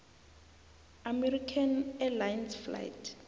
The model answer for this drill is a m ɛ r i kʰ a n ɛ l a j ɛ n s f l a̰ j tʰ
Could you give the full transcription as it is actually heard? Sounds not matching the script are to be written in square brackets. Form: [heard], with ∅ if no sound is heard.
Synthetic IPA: a m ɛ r i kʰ a n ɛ l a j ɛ n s f l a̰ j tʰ